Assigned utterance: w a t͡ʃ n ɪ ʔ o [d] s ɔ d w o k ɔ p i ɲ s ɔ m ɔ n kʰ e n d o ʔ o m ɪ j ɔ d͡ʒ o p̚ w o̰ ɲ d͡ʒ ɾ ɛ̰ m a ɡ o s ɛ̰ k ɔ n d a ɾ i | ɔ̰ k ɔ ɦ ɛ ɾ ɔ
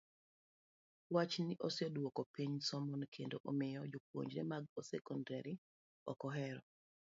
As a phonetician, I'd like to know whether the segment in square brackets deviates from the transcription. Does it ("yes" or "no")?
yes